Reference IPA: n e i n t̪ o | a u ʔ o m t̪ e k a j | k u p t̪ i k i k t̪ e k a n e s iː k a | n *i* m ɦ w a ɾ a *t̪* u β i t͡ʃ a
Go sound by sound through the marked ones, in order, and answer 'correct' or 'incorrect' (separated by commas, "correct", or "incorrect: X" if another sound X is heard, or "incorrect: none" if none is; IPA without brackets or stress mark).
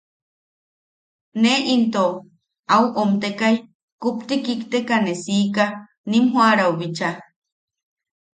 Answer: correct, incorrect: none